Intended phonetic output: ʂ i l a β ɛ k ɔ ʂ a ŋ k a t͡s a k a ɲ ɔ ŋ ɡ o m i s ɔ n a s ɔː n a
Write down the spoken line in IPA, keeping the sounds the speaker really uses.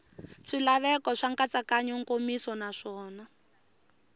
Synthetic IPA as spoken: ʂ i l a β ɛ k ɔ ʂ a ŋ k a t͡s a k a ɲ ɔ ŋ k o m i s ɔ n a ʂ ɔː n a

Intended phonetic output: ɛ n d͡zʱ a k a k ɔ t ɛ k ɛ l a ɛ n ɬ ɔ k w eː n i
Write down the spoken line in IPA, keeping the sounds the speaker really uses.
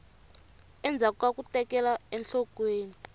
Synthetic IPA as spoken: ɛ n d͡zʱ a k a k u t ɛ k ɛ l a ɛ n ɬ ɔ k w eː n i

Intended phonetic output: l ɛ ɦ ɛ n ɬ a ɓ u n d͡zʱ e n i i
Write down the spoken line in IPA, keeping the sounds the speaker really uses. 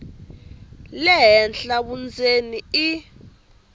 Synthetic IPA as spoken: l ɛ ɦ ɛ n ɬ a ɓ u n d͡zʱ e n i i

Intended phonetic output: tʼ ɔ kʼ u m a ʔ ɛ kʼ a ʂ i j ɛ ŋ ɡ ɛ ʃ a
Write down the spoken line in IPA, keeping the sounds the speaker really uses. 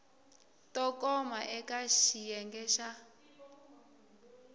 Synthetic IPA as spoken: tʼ ɔ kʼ ɔ m a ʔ ɛ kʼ a ʃ i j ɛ ŋ ɡ ɛ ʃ a

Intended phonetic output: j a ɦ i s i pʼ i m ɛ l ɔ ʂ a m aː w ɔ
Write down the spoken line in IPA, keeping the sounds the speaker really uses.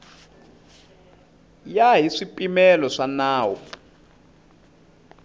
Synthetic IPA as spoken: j a ɦ i ʂ i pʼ i m ɛ l ɔ ʂ a n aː w ɔ

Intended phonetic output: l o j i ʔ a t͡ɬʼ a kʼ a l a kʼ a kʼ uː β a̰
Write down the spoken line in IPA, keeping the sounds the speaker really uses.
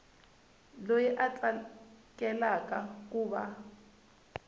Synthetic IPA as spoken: l o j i ʔ a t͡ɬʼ a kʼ ɛ l a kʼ a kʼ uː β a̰

